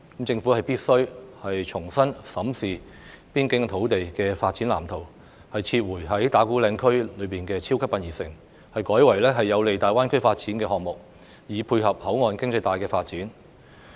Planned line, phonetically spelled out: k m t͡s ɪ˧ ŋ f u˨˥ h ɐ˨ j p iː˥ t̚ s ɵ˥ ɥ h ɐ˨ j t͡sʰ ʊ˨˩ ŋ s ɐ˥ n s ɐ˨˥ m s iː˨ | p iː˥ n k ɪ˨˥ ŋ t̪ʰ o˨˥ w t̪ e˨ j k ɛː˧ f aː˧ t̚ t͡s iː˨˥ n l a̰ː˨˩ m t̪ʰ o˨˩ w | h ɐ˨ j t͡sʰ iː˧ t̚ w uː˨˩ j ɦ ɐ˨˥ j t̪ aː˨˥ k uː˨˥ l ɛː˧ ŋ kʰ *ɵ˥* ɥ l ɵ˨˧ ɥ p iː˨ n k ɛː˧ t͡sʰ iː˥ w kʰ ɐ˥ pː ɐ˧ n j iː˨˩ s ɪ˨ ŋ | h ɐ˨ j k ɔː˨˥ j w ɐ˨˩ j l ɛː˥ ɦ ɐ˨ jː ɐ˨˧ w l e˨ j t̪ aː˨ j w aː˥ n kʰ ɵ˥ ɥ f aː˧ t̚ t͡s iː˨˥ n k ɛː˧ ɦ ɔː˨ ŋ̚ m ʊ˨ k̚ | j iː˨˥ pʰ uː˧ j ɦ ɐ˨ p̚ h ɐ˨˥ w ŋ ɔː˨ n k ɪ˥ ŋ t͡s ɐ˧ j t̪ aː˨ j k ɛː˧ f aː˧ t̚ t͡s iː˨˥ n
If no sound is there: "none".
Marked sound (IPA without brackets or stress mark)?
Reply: ɵ˥